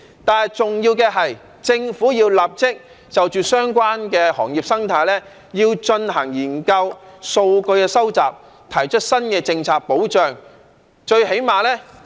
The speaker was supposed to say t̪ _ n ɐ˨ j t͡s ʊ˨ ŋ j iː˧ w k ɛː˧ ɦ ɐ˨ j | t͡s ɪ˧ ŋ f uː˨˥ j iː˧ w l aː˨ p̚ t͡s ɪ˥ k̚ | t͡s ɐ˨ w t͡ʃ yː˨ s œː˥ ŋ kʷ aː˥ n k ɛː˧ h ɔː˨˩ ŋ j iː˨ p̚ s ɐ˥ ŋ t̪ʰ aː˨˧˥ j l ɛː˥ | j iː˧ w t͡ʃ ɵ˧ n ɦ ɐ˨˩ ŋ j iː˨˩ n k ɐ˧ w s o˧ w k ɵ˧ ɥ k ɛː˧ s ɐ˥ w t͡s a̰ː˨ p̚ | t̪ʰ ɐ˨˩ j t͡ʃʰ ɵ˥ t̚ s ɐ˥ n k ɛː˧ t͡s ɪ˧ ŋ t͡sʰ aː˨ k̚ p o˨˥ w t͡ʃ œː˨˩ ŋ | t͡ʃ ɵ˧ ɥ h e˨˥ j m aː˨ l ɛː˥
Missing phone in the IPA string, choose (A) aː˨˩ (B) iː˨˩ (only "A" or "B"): A